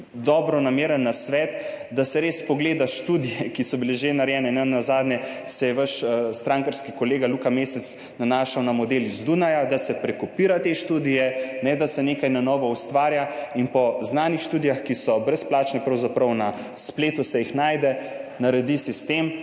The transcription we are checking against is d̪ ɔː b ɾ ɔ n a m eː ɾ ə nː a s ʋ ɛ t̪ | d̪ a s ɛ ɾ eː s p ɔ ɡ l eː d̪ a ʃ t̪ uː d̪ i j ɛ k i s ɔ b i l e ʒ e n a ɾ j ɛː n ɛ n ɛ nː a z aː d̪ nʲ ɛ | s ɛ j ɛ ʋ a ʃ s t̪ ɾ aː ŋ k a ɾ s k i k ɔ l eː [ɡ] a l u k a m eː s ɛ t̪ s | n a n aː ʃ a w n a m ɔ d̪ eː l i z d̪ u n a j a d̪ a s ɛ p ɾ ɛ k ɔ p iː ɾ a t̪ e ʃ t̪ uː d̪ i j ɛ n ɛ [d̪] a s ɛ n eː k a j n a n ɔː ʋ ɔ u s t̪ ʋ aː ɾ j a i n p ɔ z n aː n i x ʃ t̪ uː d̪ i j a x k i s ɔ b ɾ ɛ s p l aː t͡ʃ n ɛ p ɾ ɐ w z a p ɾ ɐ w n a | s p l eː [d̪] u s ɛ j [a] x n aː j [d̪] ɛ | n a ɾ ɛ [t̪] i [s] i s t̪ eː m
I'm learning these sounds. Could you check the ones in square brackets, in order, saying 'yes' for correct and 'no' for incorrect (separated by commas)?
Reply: yes, yes, no, no, yes, no, yes